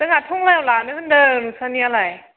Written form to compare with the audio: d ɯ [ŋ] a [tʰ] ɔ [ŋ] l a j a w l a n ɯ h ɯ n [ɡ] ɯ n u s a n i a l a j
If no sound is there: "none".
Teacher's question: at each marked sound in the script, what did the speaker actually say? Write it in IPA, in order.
ŋ, tʰ, ŋ, d

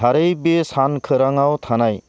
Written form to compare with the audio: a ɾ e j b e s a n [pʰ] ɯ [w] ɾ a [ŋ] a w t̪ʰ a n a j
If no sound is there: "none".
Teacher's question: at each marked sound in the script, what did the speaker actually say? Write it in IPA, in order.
kʰ, none, ŋ

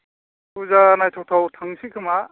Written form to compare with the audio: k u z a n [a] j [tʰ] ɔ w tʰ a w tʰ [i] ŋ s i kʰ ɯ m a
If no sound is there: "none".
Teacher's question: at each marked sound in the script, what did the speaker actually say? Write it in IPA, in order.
a, tʰ, a

